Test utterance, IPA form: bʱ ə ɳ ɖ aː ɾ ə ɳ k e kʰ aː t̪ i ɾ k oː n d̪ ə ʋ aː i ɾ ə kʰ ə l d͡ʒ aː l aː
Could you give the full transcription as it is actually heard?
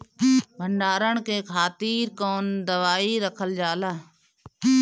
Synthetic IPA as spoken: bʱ ə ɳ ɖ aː ɾ ə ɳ k e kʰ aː t̪ iː ɾ k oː n d̪ ə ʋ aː i ɾ ə kʰ ə l d͡ʒ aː l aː